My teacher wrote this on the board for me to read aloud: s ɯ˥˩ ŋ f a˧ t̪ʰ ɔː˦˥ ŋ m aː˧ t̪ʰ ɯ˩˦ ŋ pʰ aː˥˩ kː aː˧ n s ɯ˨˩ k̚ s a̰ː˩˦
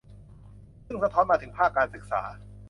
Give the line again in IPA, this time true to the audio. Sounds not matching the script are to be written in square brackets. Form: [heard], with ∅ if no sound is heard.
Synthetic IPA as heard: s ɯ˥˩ ŋ [s] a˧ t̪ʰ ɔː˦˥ [n] m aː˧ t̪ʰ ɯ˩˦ ŋ pʰ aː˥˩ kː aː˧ n s ɯ˨˩ k̚ s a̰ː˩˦